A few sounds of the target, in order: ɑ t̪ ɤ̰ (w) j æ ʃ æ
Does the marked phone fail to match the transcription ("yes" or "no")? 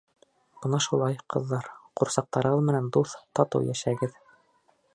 no